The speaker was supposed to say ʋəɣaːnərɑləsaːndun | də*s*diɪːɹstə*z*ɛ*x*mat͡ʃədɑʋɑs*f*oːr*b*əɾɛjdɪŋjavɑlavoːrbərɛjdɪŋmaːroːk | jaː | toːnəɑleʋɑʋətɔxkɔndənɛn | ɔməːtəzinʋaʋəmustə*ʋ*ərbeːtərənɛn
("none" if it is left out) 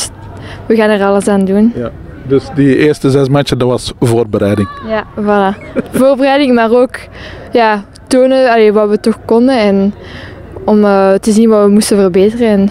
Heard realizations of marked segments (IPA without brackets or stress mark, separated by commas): s, z, s, v, b, v